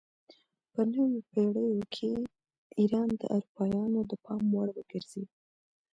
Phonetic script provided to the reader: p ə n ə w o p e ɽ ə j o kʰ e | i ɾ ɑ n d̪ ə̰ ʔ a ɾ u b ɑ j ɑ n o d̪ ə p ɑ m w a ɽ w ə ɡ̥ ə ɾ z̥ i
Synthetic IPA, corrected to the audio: p ə n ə w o p e ɽ ə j o kʰ e | i ɾ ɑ n d̪ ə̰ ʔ a ɾ u p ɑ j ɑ n o d̪ ə p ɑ m w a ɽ w ə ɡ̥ ə ɾ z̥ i